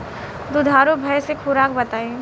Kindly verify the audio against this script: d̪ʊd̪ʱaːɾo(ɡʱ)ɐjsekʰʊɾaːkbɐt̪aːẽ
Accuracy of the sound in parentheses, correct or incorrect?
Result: incorrect